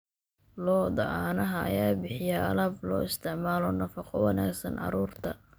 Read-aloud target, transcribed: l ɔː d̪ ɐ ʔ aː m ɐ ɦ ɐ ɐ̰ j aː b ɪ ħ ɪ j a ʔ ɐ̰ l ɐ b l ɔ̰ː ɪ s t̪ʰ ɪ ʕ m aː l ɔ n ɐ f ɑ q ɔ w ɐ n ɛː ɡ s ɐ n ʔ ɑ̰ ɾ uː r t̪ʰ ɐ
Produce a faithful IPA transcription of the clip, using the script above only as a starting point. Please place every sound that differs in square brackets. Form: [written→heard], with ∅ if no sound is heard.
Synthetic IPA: l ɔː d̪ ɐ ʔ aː [m→n] ɐ ɦ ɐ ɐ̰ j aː b ɪ ħ ɪ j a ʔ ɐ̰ l ɐ b l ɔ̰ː ɪ s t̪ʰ ɪ ʕ m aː l ɔ n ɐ f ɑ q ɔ w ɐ n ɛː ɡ s ɐ n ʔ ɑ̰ ɾ uː r t̪ʰ ɐ